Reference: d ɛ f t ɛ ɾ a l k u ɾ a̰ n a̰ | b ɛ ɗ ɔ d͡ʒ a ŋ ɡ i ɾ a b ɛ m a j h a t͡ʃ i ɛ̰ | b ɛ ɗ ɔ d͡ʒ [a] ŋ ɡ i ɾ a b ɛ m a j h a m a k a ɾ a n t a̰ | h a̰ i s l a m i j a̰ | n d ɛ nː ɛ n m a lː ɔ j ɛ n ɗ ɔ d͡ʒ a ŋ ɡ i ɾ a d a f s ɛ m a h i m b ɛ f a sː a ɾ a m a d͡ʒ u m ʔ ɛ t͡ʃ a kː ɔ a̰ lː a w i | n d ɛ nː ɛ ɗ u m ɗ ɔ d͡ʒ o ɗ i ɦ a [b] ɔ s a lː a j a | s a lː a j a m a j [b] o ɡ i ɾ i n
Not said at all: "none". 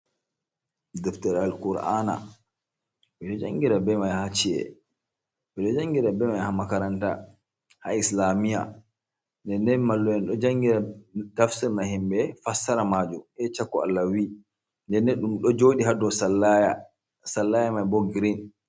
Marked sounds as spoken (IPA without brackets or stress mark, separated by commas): a, d, b